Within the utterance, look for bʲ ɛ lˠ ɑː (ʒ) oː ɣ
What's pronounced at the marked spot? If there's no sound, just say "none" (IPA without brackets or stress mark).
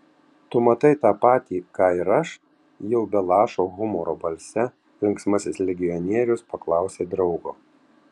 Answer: ʃ